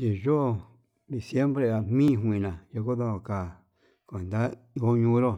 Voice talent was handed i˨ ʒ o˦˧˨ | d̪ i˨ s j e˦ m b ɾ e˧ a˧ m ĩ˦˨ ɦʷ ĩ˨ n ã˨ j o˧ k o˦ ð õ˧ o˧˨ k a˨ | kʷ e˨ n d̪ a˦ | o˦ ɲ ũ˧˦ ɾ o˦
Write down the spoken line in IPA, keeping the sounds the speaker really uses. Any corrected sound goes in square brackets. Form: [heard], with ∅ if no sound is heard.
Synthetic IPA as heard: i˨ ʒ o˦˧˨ | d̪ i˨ s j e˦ m b ɾ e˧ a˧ m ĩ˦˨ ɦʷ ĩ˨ n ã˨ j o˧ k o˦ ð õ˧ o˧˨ k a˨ | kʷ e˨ n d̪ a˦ | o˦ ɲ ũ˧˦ ɾ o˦